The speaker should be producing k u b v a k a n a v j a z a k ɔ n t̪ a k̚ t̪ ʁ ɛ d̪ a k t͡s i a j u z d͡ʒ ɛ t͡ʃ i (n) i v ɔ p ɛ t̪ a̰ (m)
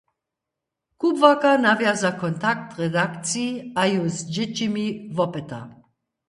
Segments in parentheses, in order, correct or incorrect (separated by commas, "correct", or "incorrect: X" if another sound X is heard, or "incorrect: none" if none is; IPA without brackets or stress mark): incorrect: m, incorrect: none